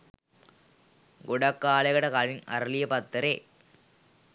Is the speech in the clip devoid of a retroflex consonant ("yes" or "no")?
no